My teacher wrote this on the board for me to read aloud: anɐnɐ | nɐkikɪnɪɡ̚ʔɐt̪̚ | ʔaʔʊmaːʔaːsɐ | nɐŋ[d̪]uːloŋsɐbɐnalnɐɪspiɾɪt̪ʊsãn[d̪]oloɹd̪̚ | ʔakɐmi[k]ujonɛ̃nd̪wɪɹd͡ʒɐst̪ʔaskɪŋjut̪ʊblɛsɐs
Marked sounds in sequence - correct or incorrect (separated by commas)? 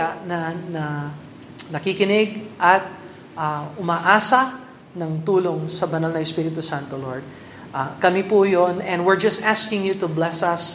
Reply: incorrect, incorrect, incorrect